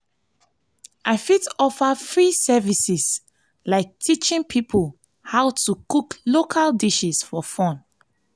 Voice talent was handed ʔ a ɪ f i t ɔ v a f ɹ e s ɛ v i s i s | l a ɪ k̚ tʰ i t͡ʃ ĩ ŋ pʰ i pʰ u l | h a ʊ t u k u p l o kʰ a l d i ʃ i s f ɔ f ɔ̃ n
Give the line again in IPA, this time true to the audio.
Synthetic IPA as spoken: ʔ a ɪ f i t ɔ f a f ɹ i s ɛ v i s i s | l a ɪ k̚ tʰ i t͡ʃ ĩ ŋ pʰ i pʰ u l | h a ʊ t u k u k l o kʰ a l d i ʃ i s f ɔ f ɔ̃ n